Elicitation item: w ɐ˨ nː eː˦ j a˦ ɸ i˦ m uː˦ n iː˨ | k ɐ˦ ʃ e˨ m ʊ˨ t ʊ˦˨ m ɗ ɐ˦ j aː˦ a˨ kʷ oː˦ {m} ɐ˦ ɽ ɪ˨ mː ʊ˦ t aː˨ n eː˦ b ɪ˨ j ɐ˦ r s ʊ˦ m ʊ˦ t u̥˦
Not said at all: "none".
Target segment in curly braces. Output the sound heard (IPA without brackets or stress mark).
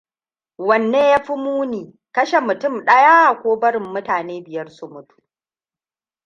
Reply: b